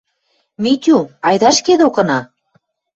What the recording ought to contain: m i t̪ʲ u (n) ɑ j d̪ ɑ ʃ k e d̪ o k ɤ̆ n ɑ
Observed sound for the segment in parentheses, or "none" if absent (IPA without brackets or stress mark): none